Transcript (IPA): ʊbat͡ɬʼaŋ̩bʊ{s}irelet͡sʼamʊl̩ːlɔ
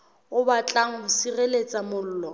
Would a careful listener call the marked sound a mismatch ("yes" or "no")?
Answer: no